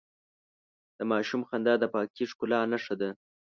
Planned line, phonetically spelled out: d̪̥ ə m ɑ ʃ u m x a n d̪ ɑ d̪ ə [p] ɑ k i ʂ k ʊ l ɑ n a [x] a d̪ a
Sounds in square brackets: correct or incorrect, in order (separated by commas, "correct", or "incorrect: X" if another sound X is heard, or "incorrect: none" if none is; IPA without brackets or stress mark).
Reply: correct, incorrect: ʂ